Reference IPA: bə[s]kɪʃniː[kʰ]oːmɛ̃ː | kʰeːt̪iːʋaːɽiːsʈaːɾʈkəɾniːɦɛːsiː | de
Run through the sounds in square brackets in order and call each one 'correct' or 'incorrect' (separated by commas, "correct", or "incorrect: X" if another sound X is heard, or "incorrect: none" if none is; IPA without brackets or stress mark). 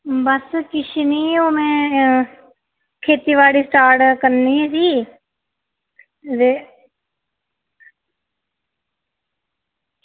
correct, incorrect: none